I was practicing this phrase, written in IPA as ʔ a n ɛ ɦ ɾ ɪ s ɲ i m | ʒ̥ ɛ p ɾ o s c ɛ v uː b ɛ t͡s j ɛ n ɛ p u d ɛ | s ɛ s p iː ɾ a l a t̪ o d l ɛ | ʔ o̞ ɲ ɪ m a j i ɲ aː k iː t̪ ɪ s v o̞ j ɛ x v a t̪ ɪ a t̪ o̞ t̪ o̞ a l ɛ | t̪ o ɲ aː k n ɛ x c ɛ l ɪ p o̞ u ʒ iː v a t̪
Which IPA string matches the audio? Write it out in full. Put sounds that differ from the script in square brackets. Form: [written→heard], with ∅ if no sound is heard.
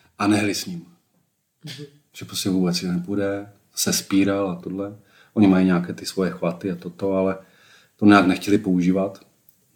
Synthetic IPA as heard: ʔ a n ɛ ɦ [ɾ→l] ɪ s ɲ i m | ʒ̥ ɛ p ɾ o s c ɛ v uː b ɛ t͡s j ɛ n ɛ p u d ɛ | s ɛ s p iː ɾ a l a t̪ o d l ɛ | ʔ o̞ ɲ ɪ m a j i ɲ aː k [iː→ɛː] t̪ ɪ s v o̞ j ɛ x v a t̪ ɪ a t̪ o̞ t̪ o̞ a l ɛ | t̪ o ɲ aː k n ɛ x c ɛ l ɪ p o̞ u ʒ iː v a t̪